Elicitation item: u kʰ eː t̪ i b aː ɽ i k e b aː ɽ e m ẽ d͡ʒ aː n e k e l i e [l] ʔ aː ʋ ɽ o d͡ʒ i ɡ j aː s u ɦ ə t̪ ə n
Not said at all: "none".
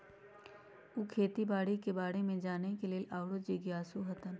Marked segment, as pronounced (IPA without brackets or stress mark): l